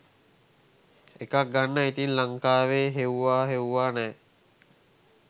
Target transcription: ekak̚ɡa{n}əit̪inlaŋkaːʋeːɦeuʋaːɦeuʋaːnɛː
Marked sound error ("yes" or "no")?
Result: yes